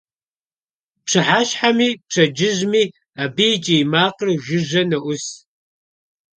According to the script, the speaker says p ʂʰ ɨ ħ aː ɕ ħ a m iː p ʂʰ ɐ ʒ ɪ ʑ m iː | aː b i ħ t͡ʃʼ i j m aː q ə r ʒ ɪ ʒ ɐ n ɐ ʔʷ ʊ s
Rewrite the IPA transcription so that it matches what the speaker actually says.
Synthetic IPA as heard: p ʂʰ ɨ ħ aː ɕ ħ a m iː p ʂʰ ɐ d͡ʒ ɪ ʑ m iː | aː b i t͡ʃʼ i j m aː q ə r ʒ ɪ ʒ ɐ n ɐ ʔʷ ʊ s